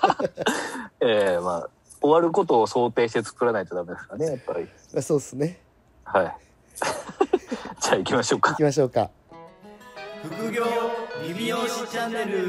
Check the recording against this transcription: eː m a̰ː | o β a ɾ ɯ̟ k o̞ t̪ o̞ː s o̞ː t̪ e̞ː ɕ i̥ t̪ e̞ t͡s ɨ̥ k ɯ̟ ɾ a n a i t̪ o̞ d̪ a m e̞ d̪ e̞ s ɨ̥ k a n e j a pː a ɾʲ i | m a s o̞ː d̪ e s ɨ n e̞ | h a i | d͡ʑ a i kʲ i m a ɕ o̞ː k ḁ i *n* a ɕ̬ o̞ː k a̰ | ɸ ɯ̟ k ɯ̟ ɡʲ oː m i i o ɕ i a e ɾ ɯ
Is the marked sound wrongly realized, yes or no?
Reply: yes